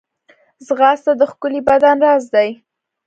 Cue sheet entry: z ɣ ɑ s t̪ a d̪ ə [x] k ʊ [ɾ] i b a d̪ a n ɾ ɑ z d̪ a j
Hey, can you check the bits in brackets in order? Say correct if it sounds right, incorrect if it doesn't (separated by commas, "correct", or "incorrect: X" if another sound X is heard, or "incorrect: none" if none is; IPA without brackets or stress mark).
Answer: correct, incorrect: l